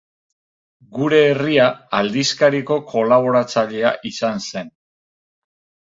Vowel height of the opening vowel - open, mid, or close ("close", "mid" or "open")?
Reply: close